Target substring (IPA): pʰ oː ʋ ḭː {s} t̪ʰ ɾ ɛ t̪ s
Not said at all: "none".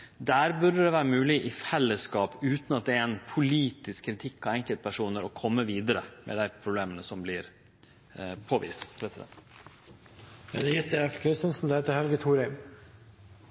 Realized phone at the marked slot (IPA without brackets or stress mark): s